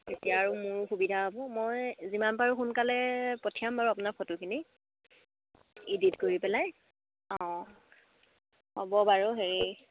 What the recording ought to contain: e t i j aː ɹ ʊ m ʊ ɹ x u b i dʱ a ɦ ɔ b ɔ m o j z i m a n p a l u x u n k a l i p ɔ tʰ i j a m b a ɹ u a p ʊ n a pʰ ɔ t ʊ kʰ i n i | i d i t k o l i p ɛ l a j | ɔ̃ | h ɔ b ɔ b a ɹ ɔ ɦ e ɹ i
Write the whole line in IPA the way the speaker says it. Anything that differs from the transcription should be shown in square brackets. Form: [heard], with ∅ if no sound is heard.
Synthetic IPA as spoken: e t i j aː ɹ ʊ m ʊ ɹ x u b i dʱ a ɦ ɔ b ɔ m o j z i m a n p a [ɹ] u x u n k a l [ɛ] p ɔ tʰ i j a m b a ɹ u a p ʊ n a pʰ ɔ t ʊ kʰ i n i | i d i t k o [ɹ] i p ɛ l a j | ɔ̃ | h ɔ b ɔ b a ɹ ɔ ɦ e ɹ i